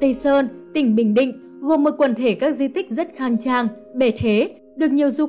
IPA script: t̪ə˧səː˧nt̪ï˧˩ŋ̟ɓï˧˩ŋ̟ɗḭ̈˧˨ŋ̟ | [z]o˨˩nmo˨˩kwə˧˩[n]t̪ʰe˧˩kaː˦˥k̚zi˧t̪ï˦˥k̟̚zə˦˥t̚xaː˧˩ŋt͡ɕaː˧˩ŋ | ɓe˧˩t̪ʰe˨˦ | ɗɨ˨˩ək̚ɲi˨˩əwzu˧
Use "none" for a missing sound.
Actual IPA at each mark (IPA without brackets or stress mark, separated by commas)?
ɣ, n